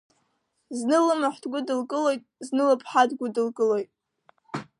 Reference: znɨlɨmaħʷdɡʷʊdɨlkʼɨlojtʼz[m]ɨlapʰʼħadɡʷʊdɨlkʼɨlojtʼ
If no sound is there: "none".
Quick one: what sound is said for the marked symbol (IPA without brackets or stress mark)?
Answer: n